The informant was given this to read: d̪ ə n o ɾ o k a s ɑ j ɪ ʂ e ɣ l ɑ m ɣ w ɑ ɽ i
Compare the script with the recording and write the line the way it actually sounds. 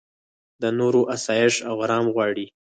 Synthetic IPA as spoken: d̪ ə n o ɾ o ʔ a s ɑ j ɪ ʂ a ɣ ɾ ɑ m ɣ w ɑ ɽ i